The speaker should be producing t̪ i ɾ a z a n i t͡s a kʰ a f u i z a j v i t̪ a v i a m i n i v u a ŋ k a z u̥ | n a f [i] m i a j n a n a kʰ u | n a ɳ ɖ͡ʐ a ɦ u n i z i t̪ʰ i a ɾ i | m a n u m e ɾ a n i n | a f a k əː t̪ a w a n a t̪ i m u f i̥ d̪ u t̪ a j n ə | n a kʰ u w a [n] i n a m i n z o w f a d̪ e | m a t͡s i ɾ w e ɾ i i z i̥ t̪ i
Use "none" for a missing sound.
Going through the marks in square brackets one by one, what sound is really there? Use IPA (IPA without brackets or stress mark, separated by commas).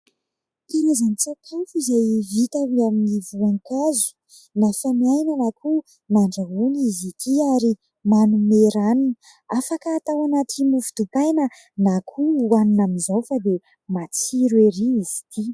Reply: a, n